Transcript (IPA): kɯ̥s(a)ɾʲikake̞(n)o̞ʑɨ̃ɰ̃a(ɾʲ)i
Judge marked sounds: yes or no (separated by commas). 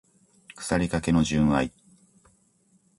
yes, yes, no